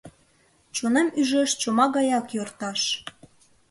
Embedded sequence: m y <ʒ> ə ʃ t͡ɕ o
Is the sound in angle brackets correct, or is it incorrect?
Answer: correct